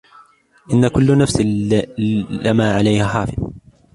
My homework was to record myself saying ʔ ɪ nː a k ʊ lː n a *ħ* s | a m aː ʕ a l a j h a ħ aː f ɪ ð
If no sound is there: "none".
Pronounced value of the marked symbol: f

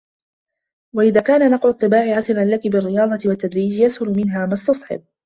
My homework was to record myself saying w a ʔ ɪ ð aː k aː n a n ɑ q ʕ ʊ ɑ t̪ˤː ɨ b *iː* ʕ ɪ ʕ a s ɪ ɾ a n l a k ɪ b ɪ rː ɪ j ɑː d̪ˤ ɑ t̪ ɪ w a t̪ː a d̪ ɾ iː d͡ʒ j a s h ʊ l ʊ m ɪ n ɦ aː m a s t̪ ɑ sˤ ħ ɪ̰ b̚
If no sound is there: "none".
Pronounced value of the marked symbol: aː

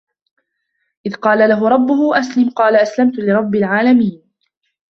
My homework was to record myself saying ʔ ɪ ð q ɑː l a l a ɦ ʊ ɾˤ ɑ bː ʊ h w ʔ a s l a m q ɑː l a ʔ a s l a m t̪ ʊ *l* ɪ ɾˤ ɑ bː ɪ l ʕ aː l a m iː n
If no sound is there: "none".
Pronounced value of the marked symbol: l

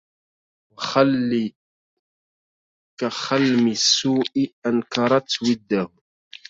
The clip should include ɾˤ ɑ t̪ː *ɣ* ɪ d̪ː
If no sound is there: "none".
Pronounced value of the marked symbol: w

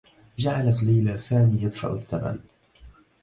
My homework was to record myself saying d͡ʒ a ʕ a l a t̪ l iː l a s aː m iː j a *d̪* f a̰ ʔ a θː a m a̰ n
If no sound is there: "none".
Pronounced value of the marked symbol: d̪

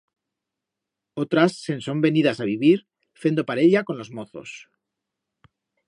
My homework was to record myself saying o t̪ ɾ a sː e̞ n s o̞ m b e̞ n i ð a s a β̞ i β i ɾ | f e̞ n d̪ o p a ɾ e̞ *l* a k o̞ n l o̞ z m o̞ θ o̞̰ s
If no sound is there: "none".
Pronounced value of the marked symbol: ʎ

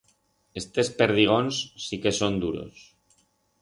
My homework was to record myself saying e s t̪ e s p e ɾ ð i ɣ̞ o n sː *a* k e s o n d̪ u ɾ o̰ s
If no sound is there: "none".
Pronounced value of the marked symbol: i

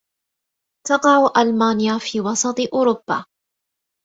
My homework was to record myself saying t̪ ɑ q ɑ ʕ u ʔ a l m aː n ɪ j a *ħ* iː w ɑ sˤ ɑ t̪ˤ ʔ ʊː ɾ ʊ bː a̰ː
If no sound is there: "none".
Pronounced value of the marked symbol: f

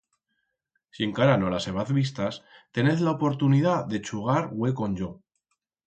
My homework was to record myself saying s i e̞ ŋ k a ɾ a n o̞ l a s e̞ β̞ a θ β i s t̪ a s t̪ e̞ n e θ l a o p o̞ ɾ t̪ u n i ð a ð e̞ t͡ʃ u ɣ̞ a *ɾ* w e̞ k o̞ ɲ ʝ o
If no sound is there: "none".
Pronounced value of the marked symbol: ɾ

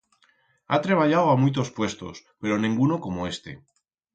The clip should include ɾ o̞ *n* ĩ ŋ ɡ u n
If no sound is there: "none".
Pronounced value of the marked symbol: n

